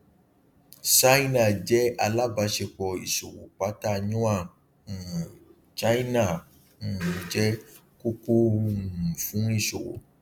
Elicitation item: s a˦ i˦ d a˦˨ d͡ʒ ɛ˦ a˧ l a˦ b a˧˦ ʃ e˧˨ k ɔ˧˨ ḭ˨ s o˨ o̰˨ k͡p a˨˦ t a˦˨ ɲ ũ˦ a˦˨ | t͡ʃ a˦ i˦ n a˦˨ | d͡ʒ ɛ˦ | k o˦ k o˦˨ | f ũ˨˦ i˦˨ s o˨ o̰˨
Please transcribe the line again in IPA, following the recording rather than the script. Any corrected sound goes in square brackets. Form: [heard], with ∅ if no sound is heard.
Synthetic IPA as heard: s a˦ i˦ [n] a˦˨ d͡ʒ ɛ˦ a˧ l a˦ b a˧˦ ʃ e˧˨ [k͡p] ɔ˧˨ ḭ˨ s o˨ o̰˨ k͡p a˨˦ t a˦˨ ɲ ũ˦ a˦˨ | t͡ʃ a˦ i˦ n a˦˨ | d͡ʒ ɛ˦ | k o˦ k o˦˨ | f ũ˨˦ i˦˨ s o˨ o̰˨